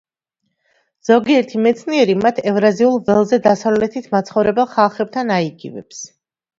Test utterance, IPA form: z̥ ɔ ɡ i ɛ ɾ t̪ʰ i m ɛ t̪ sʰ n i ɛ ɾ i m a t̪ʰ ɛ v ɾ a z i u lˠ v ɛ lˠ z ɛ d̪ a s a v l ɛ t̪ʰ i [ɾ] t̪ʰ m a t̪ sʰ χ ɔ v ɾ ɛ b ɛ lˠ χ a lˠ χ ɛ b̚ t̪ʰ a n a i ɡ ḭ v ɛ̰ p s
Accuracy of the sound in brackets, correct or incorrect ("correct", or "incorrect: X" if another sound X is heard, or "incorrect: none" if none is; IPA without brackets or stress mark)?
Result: incorrect: none